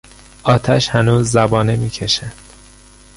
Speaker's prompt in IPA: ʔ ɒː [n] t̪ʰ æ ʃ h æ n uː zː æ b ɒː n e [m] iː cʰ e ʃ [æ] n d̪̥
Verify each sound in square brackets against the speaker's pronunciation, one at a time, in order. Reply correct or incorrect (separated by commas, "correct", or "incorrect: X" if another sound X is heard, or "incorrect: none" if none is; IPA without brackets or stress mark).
incorrect: none, correct, correct